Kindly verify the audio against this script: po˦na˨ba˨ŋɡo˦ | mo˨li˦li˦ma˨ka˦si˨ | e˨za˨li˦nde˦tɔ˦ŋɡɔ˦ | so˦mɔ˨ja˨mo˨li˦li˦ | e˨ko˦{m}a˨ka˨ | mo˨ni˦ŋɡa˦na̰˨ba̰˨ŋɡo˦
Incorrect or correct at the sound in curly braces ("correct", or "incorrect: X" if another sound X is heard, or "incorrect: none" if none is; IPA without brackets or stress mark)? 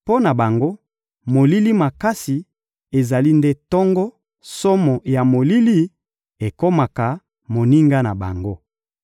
correct